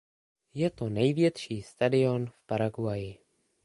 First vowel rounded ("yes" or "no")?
no